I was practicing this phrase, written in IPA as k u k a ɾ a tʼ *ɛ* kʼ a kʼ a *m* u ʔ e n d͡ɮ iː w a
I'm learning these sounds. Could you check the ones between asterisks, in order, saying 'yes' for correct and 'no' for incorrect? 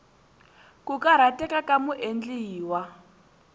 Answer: yes, yes

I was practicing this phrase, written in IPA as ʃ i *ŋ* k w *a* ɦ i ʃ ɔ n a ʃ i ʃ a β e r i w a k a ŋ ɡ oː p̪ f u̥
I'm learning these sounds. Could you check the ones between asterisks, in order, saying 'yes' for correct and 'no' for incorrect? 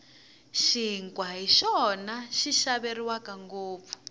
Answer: yes, yes

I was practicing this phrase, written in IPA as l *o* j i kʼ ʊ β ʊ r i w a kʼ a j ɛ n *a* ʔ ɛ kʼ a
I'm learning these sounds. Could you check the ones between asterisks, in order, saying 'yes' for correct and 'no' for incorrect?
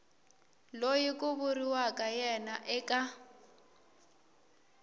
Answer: yes, yes

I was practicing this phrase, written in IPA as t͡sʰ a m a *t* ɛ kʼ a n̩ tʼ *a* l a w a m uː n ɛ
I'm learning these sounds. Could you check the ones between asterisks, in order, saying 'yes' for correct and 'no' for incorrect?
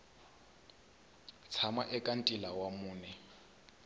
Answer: no, no

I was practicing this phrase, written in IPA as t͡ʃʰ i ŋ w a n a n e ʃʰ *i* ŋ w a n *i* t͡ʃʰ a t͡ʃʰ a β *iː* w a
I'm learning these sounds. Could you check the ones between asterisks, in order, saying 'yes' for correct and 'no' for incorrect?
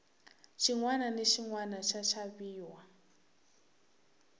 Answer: yes, no, yes

